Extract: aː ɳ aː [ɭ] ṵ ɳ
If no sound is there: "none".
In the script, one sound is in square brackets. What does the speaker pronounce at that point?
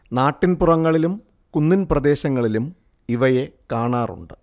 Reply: r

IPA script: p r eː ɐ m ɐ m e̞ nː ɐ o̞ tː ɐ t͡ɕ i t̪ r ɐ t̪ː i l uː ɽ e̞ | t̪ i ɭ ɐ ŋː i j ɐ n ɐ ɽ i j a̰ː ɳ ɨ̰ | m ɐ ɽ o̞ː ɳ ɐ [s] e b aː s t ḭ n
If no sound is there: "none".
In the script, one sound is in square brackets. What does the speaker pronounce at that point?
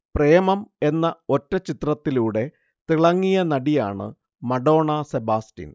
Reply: s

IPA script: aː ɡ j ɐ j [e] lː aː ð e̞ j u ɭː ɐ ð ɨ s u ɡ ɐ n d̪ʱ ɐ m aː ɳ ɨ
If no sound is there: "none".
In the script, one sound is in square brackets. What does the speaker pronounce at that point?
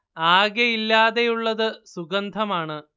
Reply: i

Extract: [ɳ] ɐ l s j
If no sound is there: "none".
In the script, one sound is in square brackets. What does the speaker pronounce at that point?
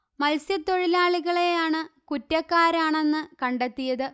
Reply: m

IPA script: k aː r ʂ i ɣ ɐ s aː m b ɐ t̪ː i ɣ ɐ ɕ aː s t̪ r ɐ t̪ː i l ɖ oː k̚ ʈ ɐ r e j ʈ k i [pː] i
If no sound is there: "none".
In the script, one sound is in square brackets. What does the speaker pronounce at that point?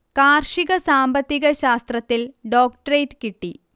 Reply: ʈː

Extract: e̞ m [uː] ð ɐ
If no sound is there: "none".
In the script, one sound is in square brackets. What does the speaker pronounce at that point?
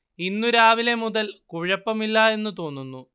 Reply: u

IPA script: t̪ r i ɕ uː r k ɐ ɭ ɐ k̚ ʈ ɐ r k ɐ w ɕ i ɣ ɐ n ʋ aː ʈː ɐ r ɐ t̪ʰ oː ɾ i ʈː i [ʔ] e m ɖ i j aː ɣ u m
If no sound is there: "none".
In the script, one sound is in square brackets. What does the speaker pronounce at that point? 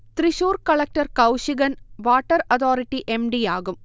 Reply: ʔ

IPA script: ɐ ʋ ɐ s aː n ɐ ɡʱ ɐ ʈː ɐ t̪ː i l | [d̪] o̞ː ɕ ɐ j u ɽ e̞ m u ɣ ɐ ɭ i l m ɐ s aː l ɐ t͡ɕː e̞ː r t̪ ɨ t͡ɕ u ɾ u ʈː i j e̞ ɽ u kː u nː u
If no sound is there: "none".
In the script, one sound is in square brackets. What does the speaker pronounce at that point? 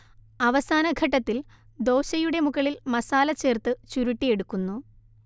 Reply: d̪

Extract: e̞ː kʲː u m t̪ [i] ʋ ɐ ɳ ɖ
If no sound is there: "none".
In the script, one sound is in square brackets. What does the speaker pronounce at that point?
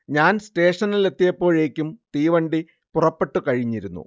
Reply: iː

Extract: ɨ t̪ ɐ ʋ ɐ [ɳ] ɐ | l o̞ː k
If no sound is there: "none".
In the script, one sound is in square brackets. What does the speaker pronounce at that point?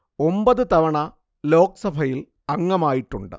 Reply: ɳ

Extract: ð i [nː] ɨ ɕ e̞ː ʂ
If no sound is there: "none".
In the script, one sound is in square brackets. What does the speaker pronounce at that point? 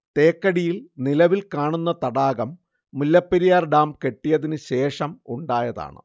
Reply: n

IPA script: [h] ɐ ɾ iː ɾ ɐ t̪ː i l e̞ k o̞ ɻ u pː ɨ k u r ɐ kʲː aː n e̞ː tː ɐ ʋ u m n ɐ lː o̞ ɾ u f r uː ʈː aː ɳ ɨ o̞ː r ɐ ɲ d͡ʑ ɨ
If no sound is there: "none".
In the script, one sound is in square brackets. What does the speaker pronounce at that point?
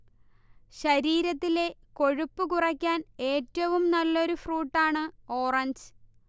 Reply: ɕ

